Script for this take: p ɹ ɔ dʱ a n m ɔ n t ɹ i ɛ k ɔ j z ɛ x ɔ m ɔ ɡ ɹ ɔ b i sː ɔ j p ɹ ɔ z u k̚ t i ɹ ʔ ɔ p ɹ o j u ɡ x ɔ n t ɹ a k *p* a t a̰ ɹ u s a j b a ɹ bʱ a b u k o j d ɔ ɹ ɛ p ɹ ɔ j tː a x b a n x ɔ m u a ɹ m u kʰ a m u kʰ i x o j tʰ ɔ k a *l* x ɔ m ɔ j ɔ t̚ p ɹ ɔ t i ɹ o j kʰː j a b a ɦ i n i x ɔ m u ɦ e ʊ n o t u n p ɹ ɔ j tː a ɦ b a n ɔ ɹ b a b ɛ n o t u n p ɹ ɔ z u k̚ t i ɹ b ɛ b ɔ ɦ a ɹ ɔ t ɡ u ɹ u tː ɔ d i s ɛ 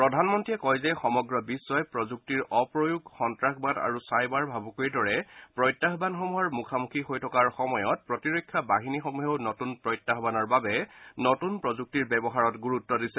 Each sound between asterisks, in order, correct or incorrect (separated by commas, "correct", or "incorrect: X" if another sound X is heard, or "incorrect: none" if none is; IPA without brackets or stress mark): incorrect: b, incorrect: ɹ